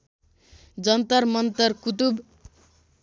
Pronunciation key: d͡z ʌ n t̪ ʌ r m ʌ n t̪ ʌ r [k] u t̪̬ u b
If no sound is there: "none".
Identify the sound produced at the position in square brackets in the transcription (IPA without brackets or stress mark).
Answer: k